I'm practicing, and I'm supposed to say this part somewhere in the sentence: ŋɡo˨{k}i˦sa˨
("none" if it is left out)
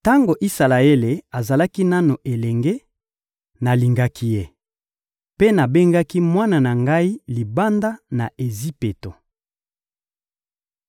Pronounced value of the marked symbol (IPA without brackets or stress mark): ʔ